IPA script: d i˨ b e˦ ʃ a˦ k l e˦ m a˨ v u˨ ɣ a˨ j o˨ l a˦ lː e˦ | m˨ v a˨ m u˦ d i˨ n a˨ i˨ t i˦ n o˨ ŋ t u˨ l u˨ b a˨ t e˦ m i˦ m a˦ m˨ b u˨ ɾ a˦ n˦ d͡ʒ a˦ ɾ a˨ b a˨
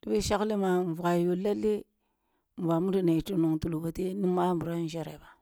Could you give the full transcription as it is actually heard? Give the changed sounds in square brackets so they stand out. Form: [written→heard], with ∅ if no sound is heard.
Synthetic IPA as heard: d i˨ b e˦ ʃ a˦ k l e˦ m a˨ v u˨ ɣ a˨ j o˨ l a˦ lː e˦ | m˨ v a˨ m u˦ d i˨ n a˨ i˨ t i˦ n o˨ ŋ t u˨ l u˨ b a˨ t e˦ [m→n] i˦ m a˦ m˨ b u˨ ɾ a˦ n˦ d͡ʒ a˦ ɾ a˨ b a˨